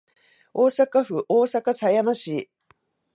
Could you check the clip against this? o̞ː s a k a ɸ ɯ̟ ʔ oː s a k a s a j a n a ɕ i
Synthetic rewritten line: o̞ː s a k a ɸ ɯ̟ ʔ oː s a k a s a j a m a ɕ i